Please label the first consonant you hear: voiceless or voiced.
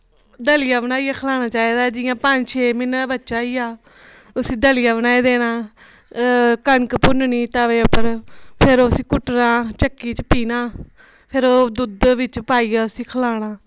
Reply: voiced